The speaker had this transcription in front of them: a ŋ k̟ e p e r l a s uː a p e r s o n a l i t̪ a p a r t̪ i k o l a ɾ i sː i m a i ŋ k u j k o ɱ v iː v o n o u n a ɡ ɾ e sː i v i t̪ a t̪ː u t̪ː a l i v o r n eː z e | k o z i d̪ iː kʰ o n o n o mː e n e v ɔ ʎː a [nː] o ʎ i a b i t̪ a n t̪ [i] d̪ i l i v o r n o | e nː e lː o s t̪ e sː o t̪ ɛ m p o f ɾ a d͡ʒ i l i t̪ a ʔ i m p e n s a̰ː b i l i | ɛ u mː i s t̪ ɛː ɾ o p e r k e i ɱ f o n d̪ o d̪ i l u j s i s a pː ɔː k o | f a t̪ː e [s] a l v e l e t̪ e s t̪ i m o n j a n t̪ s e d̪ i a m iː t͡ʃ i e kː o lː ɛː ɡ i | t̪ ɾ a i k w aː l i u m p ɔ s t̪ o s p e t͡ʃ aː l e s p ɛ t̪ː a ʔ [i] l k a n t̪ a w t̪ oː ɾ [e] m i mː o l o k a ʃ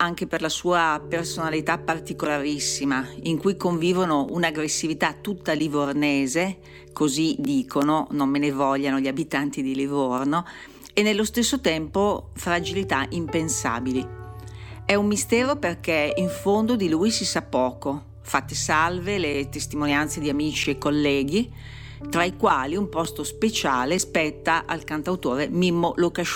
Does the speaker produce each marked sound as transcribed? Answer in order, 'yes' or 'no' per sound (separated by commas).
no, yes, yes, no, yes